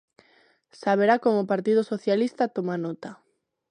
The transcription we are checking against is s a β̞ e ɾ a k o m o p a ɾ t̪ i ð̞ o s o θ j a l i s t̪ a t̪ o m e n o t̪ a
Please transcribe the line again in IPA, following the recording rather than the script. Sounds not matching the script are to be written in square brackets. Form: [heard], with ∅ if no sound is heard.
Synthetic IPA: s a β̞ e ɾ a k o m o p a ɾ t̪ i ð̞ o s o θ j a l i s t̪ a t̪ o m [a] n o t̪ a